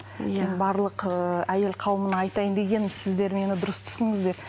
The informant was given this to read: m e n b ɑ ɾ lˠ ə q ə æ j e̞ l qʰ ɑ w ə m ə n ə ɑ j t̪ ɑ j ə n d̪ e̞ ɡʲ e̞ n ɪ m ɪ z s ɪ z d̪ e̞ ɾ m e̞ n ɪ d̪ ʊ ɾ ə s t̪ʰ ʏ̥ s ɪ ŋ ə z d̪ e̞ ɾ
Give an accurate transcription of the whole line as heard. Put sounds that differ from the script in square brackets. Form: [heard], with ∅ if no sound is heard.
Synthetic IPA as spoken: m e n b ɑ ɾ lˠ ə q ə æ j e̞ l qʰ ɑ w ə m ə n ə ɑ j t̪ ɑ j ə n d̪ e̞ ɡʲ e̞ n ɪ m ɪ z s ɪ z d̪ e̞ ɾ m e̞ n ɪ d̪ ʊ ɾ ə s t̪ʰ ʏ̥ s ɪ ŋ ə z d̪ e̞ ɾ